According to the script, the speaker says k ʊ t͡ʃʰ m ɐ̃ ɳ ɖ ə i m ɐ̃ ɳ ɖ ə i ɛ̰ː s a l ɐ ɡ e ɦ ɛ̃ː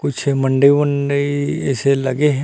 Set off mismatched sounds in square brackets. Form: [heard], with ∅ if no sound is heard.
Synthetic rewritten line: k ʊ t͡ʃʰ m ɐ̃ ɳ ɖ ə i m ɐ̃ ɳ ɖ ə i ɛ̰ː s [e] l ɐ ɡ e ɦ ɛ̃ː